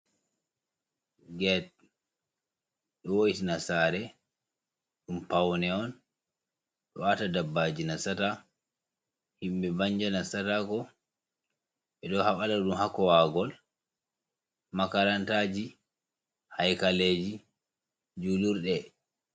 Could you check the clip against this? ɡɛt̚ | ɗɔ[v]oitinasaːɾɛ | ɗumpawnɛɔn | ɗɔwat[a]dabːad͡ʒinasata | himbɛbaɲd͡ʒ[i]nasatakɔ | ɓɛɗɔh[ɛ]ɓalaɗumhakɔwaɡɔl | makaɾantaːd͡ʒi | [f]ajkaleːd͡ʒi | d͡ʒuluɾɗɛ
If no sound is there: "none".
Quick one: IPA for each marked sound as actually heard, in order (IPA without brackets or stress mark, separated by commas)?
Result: w, a, a, a, h